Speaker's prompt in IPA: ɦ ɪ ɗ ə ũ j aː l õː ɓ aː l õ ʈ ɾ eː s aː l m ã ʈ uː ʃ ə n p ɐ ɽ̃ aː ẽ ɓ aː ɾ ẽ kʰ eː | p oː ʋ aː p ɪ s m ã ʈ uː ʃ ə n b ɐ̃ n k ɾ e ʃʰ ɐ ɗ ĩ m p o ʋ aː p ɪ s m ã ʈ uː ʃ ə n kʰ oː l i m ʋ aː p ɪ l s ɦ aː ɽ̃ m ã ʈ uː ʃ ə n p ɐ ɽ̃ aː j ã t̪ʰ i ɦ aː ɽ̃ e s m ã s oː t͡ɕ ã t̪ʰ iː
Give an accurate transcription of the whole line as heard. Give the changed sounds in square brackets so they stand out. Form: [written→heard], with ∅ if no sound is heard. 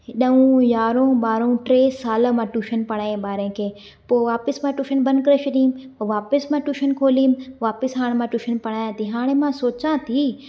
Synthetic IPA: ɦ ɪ ɗ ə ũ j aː [l→ɾ] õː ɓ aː [l→ɾ] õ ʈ ɾ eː s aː l m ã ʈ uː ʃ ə n p ɐ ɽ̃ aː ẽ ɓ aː ɾ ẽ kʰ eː | p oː ʋ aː p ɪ s m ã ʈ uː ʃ ə n b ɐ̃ n k ɾ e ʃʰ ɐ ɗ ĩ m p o ʋ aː p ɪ s m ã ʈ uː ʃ ə n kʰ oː l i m ʋ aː p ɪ [l→∅] s ɦ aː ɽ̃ m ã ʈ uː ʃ ə n p ɐ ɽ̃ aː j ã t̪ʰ i ɦ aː ɽ̃ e [s→∅] m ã s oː t͡ɕ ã t̪ʰ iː